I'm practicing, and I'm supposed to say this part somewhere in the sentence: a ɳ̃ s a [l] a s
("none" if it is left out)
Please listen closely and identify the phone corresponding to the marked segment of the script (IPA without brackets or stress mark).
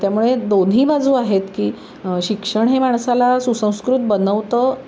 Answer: l